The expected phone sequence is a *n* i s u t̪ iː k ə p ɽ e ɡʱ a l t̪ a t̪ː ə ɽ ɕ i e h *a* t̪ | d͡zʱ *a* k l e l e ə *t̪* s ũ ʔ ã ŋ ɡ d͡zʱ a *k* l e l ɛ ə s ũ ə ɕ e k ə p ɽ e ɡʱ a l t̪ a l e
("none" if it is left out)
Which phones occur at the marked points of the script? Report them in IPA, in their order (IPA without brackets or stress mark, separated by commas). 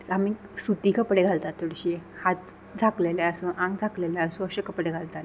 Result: m, a, a, none, k